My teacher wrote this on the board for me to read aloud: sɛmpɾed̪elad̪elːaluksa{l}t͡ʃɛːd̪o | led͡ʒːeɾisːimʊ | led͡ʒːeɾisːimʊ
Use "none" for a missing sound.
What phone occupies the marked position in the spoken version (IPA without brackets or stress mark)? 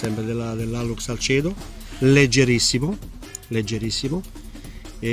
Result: l